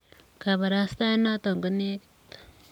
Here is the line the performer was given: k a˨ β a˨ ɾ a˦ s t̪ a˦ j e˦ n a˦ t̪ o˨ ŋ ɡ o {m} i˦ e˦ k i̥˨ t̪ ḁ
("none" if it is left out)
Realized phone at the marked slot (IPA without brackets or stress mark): n